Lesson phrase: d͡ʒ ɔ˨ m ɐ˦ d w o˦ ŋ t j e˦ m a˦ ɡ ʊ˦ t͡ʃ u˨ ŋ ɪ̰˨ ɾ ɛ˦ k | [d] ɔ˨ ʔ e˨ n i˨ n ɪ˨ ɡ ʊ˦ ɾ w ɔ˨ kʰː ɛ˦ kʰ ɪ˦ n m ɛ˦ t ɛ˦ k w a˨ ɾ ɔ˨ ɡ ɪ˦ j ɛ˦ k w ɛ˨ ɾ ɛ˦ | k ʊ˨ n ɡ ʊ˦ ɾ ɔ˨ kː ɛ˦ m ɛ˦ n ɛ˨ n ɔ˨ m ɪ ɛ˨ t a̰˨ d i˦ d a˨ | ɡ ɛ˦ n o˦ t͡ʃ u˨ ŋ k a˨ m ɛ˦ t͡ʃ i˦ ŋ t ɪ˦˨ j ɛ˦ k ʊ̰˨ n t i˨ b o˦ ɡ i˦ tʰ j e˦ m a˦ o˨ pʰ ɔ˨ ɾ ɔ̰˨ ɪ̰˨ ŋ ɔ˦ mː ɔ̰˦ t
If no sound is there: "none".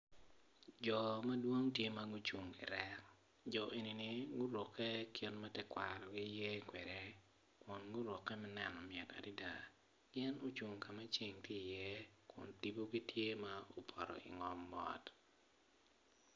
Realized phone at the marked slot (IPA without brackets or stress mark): d͡ʒ